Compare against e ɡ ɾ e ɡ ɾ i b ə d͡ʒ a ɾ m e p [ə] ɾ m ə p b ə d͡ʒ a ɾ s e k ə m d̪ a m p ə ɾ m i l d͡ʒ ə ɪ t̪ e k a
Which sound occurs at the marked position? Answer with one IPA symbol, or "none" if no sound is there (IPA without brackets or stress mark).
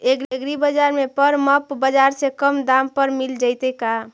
ə